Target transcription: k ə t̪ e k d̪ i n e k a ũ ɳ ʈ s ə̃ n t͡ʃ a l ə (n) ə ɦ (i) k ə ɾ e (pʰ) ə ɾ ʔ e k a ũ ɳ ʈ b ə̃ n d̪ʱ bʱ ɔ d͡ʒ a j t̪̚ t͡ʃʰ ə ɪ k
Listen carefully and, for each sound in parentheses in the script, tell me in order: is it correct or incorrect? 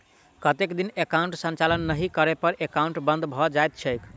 incorrect: nː, correct, incorrect: p

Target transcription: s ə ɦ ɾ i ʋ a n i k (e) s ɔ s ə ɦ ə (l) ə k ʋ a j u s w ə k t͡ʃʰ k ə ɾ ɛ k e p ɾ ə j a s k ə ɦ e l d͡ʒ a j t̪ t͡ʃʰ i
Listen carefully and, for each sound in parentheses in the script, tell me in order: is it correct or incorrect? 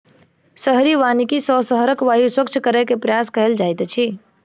incorrect: i, incorrect: ɾ

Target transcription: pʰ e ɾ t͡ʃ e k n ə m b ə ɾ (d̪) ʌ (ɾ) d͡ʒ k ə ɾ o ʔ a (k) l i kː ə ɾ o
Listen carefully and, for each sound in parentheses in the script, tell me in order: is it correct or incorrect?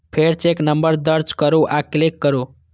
correct, correct, correct

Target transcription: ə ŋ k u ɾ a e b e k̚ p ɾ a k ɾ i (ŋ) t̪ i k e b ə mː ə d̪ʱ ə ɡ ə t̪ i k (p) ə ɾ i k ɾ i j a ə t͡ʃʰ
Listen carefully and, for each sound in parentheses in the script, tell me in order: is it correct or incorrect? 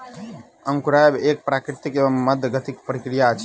incorrect: none, correct

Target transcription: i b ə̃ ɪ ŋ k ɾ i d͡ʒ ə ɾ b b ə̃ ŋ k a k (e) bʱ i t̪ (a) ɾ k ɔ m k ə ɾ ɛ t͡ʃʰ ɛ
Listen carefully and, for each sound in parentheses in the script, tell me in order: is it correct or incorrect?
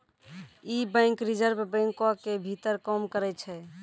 correct, incorrect: ə

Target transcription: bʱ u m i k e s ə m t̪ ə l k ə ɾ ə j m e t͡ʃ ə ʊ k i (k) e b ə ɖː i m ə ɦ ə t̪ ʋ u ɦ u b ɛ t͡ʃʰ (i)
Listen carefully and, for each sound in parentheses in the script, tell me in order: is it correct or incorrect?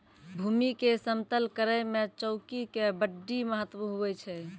correct, incorrect: ɛ

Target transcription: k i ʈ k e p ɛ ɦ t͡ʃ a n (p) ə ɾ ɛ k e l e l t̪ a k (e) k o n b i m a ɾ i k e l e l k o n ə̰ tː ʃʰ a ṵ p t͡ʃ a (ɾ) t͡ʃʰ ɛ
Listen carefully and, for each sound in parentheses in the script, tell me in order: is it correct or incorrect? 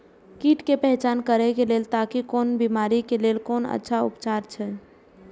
incorrect: k, incorrect: i, correct

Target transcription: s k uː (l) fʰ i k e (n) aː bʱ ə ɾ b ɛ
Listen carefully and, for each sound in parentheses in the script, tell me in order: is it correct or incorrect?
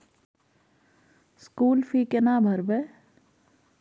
correct, correct

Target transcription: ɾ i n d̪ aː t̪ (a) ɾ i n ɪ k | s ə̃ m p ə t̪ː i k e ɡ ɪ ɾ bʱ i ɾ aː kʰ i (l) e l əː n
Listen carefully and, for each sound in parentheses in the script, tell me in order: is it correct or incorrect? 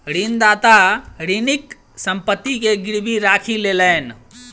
correct, correct

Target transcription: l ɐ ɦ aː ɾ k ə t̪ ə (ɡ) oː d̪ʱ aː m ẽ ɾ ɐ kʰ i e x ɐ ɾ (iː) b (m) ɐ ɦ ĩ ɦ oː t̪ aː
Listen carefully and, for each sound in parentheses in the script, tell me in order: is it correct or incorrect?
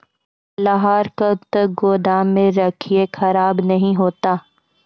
correct, incorrect: aː, incorrect: n

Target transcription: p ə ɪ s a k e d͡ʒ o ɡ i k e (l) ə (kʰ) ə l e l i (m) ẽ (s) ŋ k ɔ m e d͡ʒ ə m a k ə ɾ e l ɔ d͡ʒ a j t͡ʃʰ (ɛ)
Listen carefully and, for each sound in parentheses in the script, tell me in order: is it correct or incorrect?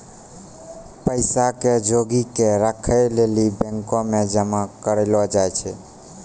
incorrect: ɾ, correct, incorrect: b, incorrect: none, correct

